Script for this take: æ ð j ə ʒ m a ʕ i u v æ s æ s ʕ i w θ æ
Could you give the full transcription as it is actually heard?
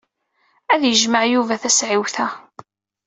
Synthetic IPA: æ ð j ə ʒ m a ʕ j u v æ θ æ s ʕ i w θ æ